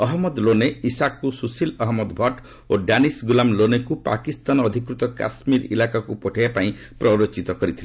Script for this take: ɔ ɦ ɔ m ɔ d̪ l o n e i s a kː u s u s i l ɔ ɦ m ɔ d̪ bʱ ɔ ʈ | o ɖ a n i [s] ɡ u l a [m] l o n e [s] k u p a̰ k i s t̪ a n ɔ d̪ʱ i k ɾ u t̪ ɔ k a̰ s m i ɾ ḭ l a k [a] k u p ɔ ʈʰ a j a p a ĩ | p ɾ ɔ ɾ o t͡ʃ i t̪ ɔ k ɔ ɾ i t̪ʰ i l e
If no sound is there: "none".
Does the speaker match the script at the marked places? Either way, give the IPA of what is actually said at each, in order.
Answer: s, m, none, a

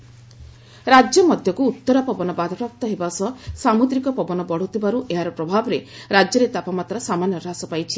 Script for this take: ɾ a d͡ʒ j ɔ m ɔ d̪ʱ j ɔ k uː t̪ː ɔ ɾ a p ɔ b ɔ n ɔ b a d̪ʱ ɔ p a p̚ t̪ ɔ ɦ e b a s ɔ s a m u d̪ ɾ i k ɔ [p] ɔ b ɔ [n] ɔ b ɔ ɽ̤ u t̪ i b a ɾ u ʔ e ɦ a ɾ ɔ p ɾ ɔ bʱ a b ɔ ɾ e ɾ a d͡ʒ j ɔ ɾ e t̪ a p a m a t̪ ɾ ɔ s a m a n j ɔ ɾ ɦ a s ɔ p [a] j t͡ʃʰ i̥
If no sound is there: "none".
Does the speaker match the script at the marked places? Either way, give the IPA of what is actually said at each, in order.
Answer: p, n, a

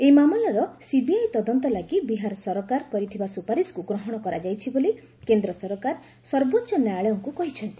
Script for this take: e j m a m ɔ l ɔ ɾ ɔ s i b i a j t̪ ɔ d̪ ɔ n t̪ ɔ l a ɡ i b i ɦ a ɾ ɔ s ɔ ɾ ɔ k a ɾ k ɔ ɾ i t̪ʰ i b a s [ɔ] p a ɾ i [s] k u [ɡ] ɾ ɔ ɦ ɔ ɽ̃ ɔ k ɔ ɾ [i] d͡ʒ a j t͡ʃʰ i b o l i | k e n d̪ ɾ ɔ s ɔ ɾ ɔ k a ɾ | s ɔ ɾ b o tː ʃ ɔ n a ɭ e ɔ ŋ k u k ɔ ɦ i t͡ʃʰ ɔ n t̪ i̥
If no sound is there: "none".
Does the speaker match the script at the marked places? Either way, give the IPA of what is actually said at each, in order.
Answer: u, s, ɡ, a

